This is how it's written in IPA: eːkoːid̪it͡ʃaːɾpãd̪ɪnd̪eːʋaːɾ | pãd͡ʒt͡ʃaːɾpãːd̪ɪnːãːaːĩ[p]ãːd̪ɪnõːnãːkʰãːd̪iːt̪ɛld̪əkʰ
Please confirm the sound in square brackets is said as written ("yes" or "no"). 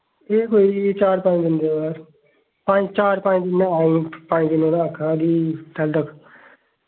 yes